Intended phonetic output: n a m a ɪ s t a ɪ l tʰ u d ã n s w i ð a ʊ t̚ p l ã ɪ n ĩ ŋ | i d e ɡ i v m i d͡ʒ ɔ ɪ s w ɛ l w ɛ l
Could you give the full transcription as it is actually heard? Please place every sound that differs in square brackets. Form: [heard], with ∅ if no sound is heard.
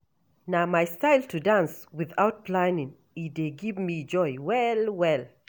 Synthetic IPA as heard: n a m a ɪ s t a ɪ l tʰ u d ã n s w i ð a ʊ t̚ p l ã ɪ n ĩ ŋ | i d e ɡ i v m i d͡ʒ ɔ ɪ [∅] w ɛ l w ɛ l